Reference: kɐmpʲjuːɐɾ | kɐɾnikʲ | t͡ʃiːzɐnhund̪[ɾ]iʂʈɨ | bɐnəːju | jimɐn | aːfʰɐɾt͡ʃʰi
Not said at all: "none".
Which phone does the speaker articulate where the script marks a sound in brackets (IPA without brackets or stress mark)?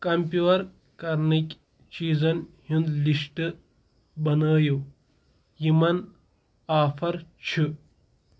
l